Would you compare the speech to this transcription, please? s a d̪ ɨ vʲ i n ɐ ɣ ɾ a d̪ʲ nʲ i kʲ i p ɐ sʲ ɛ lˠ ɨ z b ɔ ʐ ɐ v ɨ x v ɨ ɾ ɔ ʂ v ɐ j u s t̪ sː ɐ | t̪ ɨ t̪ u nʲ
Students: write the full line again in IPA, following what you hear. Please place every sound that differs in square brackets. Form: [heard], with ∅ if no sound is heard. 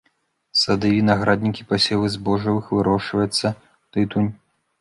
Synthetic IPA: s a d̪ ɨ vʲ i n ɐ ɣ ɾ a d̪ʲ nʲ i kʲ i p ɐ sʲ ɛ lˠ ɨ z b ɔ ʐ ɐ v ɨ x v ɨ ɾ ɔ ʂ v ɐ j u [∅] t̪ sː ɐ | t̪ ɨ t̪ u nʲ